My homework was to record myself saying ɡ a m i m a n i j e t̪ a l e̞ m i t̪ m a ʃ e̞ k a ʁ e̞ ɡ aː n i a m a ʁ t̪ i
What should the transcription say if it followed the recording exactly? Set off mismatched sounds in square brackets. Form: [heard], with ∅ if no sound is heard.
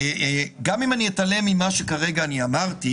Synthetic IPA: ɡ a m i m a n i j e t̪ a l e̞ m i [∅] m a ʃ e̞ k a ʁ e̞ ɡ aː n i a m a ʁ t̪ i

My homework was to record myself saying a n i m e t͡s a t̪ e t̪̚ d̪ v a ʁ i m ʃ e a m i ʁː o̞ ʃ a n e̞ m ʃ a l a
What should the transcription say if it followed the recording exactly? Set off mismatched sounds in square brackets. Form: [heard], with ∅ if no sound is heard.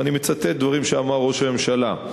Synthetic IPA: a n i m e t͡s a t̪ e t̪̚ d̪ v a ʁ i m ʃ e a m [a] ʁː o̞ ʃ a [m] e̞ m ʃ a l a

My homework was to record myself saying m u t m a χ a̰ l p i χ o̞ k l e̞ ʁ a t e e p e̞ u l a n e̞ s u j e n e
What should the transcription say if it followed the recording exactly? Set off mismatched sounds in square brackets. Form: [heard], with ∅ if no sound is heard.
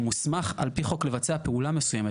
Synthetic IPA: m u [s] m a χ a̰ l p i χ o̞ k l e̞ [v] a [t͡s] e [a] p e̞ u l a [m] e̞ s u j e [m] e

